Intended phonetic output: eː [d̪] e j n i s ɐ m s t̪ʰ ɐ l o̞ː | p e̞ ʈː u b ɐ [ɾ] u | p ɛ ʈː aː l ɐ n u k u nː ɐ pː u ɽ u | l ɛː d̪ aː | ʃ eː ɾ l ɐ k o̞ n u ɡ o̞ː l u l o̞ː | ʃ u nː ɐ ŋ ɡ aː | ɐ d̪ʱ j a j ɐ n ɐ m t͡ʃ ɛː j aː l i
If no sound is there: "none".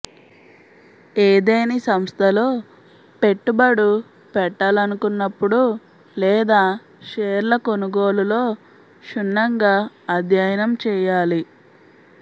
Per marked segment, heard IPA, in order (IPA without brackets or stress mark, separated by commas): d̪, ɽ